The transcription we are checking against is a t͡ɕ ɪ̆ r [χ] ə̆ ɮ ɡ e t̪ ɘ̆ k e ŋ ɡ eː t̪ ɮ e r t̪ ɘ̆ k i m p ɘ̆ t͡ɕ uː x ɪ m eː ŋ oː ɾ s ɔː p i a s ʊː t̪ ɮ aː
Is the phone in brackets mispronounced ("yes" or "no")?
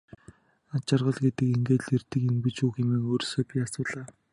yes